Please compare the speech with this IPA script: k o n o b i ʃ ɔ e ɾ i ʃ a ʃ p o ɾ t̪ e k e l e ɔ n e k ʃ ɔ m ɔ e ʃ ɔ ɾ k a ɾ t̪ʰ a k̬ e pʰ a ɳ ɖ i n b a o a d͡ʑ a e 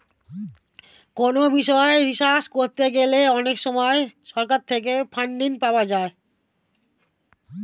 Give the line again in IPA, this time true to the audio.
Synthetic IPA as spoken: k o n o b i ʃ ɔ e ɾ i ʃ a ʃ k o ɾ t̪ e ɡ e l e ɔ n e k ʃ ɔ m ɔ e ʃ ɔ ɾ k a ɾ t̪ʰ e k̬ e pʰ a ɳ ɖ i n p a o a d͡ʑ a e